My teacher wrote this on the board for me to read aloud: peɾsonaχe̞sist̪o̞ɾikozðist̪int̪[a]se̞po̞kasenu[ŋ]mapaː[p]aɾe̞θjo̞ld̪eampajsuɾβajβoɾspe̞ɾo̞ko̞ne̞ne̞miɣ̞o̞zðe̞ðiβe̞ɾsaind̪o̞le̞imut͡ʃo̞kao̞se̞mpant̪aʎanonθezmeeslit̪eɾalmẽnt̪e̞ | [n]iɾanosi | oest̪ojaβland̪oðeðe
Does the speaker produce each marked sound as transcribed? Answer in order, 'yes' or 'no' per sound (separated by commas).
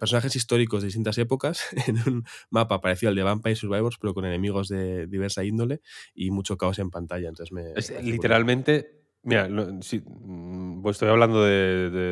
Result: yes, no, yes, no